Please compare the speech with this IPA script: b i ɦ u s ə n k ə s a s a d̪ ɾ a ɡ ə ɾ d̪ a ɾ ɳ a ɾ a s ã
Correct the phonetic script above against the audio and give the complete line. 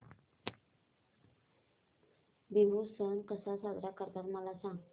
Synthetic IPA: b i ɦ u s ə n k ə s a s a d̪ ɾ a k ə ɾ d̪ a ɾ m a l a s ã

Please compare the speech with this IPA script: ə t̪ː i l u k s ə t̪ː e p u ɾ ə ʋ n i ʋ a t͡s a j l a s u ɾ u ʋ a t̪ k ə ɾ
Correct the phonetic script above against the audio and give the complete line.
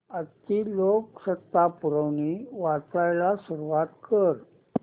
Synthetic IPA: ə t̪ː i l o k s ə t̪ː a p u ɾ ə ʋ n i ʋ a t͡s a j l a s u ɾ u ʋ a t̪ k ə ɾ

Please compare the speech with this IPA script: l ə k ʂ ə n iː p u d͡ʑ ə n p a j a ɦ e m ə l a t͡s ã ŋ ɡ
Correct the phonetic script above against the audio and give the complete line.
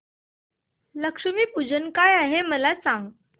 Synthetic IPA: l ə k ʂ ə m iː p u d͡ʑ ə n k a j a ɦ e m ə l a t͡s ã ŋ ɡ

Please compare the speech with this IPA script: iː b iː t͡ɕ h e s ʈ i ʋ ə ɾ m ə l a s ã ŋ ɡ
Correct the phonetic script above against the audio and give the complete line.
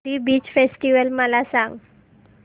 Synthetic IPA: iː b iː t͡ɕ f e s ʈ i ʋ ə l m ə l a s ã ŋ ɡ

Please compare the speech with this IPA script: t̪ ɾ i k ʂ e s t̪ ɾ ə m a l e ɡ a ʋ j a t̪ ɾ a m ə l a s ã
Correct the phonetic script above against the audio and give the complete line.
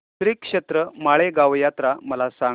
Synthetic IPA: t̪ ɾ i k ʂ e t̪ ɾ ə m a ɭ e ɡ a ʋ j a t̪ ɾ a m ə l a s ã

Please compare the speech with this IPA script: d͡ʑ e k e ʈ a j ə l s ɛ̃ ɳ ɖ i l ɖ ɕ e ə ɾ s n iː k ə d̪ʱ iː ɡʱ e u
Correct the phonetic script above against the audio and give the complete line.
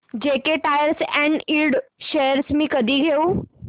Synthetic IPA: d͡ʑ e k e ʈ a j ə ɾ s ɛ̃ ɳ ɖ i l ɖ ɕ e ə ɾ s m iː k ə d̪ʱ iː ɡʱ e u

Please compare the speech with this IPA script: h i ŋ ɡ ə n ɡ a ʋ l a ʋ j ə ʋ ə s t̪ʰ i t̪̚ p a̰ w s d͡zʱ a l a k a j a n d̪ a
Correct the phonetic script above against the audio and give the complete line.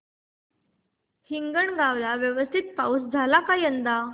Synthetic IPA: h i ŋ ɡ ə ɳ ɡ a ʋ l a ʋ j ə ʋ ə s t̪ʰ i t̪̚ p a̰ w s d͡zʱ a l a k a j ə n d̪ a

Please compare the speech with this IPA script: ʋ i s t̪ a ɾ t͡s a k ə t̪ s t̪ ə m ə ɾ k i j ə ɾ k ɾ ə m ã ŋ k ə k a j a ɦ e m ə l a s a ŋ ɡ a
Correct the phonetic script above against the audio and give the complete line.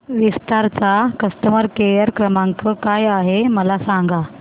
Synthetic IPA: ʋ i s t̪ a ɾ t͡s a k ə s t̪ ə m ə ɾ k e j ə ɾ k ɾ ə m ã ŋ k ə k a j a ɦ e m ə l a s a ŋ ɡ a

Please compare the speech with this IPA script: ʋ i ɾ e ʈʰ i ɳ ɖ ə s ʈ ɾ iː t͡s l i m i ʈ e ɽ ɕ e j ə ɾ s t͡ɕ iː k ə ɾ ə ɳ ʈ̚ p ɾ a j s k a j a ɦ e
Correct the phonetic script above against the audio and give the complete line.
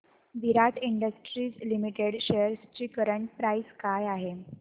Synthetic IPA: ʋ i ɾ a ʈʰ i ɳ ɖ ə s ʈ ɾ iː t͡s l i m i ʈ e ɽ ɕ e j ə ɾ s t͡ɕ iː k ə ɾ ə ɳ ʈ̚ p ɾ a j s k a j a ɦ e

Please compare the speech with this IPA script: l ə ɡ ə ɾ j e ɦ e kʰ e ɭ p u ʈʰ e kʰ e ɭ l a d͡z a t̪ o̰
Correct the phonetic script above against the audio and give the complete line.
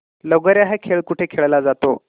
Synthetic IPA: l ə ɡ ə ɾ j a ɦ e kʰ e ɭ k u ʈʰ e kʰ e ɭ l a d͡z a t̪ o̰

